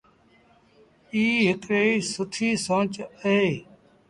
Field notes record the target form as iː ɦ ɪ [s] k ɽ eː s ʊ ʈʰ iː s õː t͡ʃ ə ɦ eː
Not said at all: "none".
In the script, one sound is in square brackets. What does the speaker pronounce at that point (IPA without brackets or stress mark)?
none